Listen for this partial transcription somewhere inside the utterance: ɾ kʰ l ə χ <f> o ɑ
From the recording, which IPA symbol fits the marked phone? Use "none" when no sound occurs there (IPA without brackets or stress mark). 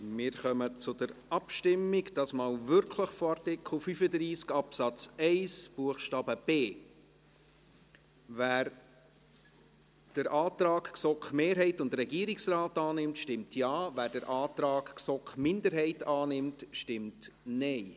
f